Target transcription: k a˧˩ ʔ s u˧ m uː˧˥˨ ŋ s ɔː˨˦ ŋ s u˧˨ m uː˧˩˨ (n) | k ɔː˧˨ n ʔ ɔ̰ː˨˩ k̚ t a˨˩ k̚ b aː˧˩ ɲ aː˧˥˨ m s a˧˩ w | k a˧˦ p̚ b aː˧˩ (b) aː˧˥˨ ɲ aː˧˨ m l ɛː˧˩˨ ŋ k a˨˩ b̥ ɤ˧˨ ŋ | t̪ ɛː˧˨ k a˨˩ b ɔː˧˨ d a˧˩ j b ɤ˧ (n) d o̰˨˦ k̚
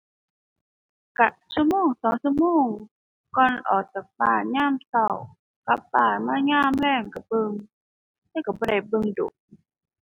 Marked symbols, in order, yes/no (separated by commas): no, no, no